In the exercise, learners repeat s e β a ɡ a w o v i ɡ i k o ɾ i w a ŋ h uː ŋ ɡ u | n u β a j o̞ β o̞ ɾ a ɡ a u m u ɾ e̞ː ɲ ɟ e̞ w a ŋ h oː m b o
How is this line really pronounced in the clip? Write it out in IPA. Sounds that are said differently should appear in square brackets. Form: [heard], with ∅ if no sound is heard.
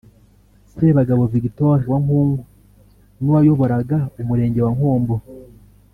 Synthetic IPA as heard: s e β a ɡ a [β] o v i ɡ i [t] o ɾ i w a ŋ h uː ŋ ɡ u | n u [w] a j o̞ β o̞ ɾ a ɡ a u m u ɾ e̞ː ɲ ɟ e̞ w a ŋ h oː m b o